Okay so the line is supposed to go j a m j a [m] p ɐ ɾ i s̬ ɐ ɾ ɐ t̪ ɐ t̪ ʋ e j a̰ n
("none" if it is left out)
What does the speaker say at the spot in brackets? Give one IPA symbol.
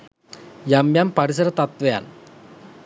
m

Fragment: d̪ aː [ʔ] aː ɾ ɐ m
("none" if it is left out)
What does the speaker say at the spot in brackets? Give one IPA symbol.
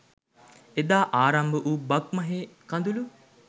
ʔ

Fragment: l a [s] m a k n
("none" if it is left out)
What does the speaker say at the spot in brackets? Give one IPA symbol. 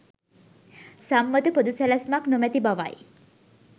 s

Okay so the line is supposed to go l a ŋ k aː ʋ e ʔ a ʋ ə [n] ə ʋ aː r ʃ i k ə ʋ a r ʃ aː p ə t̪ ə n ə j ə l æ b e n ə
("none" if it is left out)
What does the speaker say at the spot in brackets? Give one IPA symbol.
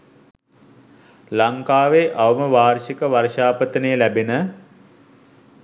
m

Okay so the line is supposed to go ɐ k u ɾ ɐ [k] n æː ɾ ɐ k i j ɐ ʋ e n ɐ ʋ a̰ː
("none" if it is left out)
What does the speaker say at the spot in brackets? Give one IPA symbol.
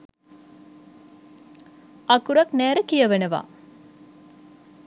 k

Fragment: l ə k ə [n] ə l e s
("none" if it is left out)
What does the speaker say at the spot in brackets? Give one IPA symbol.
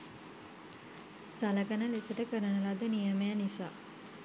n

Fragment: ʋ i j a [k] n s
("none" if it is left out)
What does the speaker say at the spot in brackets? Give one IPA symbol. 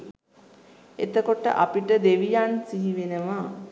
none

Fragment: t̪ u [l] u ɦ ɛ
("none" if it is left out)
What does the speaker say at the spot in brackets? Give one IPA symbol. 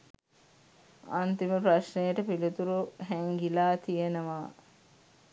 ɾ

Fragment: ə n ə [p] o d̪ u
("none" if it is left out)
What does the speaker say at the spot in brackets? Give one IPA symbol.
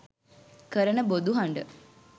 b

